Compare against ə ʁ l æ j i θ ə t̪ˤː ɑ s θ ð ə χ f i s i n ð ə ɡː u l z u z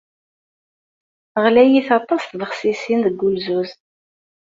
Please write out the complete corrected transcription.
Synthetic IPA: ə ʁ l æ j i θ ɑ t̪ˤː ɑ s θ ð ə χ s i s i n ð ə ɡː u l z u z